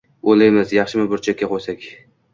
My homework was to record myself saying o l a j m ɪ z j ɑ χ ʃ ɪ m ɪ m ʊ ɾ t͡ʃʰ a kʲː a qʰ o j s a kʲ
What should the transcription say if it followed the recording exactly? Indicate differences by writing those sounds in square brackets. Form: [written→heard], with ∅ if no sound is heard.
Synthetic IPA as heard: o l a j m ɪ z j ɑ χ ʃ ɪ m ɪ [m→b] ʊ ɾ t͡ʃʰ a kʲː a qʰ o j s a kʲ